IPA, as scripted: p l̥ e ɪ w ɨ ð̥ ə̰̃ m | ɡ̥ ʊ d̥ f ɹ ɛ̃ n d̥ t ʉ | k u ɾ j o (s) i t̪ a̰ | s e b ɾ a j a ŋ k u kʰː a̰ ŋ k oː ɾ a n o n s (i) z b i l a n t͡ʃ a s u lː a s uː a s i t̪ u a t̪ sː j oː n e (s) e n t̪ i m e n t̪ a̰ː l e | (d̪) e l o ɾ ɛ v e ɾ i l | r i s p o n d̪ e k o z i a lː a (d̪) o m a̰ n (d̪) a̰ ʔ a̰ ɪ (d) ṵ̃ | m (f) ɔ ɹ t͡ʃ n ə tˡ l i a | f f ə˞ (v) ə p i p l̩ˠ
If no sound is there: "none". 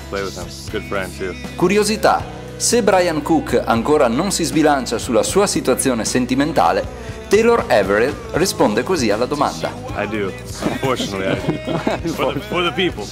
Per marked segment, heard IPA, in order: z, i, s, t̪, d̪, d̪, d, f, ð

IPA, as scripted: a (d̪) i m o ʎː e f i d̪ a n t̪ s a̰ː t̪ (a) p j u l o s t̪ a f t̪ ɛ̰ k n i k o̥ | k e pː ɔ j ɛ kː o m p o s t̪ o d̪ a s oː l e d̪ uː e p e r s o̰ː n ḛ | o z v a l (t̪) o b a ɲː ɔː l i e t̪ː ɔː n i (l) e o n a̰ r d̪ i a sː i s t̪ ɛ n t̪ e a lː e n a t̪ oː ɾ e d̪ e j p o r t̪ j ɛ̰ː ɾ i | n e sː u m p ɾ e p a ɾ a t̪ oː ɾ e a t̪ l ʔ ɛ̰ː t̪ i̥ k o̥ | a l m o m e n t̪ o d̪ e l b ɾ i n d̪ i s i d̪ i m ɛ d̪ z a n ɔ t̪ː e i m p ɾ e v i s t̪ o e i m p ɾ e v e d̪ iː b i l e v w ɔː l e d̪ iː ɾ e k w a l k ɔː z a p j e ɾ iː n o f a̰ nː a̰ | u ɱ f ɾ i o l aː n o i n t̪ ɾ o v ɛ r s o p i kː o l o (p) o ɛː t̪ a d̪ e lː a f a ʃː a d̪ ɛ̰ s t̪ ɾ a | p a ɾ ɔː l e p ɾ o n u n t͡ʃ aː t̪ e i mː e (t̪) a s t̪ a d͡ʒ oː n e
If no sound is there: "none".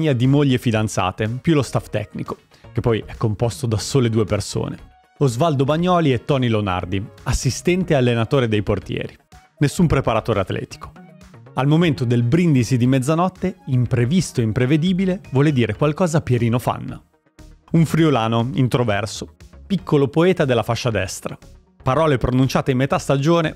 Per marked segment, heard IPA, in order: d̪, e, d̪, l, p, t̪

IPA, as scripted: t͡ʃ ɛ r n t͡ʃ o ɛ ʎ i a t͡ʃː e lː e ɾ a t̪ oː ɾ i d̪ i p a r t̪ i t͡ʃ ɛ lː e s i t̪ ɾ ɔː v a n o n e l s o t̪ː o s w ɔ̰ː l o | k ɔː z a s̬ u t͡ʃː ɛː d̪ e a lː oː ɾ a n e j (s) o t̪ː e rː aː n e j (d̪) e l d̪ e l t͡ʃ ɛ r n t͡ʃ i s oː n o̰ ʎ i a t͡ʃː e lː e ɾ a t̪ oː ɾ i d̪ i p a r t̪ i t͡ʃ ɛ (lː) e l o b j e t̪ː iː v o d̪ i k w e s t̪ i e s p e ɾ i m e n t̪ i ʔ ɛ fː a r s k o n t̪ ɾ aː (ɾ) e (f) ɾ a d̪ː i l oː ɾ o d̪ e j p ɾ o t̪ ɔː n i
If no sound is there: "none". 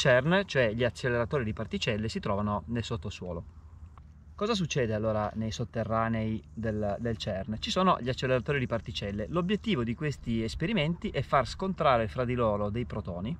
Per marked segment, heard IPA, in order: s, d̪, lː, ɾ, f

